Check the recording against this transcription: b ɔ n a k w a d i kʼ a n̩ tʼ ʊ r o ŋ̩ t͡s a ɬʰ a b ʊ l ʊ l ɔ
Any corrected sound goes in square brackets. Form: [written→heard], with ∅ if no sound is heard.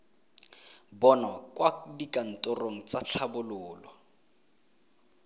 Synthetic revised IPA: b ɔ n a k w a d i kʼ a n̩ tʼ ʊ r o ŋ̩ t͡s a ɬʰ a b ʊ l [ʊ→ʊː] l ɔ